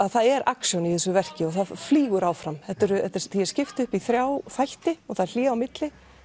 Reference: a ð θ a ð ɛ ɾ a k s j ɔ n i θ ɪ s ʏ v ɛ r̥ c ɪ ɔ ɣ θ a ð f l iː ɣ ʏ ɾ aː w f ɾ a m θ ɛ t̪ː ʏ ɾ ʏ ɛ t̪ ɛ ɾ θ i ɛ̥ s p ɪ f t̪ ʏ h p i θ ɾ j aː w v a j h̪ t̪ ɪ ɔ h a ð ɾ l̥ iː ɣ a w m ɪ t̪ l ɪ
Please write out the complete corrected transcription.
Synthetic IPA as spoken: a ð θ a ð ɛ ɾ a k s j ɔ n i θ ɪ s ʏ v ɛ r̥ c ɪ ɔ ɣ θ a ð f l iː ɣ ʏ ɾ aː w f ɾ a m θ ɛ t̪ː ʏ ɾ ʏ ɛ t̪ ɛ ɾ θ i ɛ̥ s c ɪ f t̪ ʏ h p i θ ɾ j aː w f a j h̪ t̪ ɪ ɔ θ a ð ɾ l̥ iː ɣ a w m ɪ t̪ l ɪ